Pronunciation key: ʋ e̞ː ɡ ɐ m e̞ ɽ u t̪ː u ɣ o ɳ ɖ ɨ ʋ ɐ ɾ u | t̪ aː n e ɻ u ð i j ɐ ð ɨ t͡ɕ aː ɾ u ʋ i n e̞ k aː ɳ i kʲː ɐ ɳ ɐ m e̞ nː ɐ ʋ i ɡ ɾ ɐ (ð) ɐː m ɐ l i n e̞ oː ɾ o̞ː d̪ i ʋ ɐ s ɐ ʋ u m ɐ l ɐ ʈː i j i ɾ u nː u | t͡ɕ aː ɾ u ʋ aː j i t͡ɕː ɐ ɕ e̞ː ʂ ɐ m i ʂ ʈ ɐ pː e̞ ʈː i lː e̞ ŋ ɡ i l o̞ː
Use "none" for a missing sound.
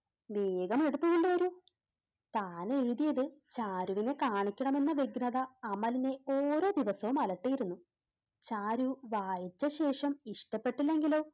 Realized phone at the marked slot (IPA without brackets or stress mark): ð